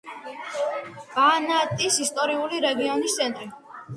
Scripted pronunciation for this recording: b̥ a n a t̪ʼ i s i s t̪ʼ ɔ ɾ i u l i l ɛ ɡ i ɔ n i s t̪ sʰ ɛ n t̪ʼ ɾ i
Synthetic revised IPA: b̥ a n a t̪ʼ i s i s t̪ʼ ɔ ɾ i u l i ɾ ɛ ɡ i ɔ n i s t̪ sʰ ɛ n t̪ʼ ɾ i